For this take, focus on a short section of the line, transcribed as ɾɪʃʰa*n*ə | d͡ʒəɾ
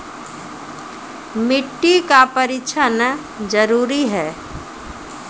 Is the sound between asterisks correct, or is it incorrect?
correct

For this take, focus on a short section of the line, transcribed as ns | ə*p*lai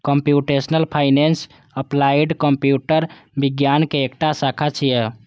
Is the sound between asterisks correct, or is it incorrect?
correct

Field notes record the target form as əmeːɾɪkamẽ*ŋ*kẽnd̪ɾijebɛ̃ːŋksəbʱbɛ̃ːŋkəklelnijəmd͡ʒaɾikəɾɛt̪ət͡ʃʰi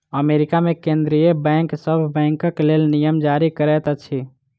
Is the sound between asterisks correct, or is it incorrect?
incorrect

